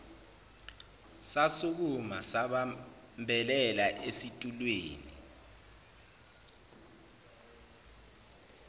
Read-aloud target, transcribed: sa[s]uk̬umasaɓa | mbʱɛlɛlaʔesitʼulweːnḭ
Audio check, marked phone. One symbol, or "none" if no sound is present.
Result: s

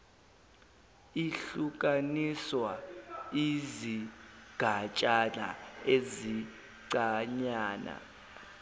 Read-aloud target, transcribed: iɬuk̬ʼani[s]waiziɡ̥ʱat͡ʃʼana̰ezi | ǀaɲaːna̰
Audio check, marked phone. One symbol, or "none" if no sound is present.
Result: s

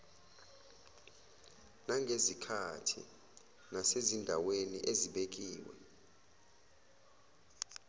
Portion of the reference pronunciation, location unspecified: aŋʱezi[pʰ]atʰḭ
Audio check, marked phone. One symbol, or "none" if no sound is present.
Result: kʰ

